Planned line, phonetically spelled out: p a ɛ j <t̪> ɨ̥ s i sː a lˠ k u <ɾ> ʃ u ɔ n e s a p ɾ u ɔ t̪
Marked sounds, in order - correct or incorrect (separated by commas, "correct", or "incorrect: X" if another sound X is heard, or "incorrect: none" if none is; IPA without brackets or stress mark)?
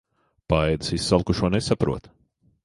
incorrect: d̪, incorrect: none